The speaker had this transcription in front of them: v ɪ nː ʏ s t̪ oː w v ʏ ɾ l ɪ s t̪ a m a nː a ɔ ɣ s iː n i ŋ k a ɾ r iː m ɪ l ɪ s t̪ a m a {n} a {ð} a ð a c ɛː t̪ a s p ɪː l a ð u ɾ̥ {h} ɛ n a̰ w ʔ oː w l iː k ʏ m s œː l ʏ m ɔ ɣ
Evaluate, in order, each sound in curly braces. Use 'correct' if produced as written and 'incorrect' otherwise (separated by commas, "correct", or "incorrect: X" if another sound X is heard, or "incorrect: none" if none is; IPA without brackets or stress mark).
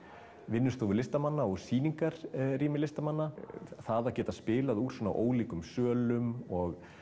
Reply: incorrect: nː, incorrect: θ, incorrect: s